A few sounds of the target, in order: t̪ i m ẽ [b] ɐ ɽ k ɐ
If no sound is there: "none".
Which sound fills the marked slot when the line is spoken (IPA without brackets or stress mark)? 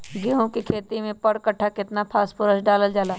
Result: p